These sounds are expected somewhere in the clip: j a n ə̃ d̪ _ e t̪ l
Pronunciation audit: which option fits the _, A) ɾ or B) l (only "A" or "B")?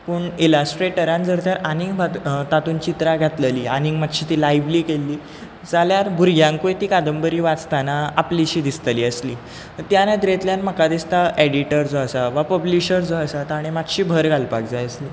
A